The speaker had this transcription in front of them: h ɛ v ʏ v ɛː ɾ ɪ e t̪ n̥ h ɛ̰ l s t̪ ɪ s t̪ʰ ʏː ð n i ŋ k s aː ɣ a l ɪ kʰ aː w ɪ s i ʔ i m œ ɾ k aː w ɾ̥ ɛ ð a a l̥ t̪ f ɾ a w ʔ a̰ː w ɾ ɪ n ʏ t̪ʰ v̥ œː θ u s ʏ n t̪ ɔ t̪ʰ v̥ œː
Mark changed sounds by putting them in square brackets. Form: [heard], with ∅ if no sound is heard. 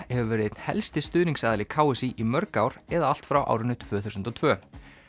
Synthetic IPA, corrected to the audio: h ɛ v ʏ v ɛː ɾ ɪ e t̪ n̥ h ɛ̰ l s t̪ ɪ s [t̪] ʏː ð n i ŋ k s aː [ð] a l ɪ kʰ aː w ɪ s i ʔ i m œ ɾ k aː w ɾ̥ ɛ ð a a l̥ t̪ f ɾ a w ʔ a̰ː w ɾ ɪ n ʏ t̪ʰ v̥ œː θ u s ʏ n t̪ ɔ t̪ʰ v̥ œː